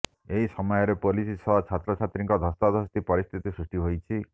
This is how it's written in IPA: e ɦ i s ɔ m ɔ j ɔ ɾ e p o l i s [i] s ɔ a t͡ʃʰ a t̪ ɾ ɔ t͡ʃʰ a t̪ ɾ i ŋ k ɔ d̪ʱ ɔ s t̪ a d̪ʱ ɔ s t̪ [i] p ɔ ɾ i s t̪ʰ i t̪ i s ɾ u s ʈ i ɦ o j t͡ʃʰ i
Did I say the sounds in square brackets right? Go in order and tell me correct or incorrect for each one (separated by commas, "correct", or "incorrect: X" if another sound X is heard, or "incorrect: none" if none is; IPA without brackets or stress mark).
correct, correct